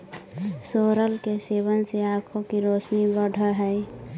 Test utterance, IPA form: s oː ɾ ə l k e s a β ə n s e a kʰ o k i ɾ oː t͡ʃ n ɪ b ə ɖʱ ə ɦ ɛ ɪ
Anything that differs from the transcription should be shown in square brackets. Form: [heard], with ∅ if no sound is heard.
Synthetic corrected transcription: s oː ɾ ə l k e s [e] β ə n s e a kʰ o k i ɾ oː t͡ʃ n [i] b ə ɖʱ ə ɦ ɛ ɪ